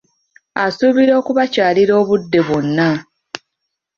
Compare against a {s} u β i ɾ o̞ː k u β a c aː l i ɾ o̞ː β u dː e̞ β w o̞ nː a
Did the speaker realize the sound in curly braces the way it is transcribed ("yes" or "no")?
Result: yes